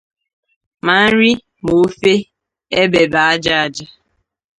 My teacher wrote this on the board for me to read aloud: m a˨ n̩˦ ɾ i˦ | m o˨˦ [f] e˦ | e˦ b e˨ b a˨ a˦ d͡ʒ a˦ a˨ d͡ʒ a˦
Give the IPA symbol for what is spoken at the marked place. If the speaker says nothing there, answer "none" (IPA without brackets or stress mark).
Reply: f